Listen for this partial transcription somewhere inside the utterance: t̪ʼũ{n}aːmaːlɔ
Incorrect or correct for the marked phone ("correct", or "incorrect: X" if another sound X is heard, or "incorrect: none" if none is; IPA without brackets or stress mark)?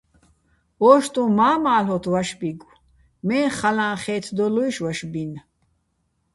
incorrect: m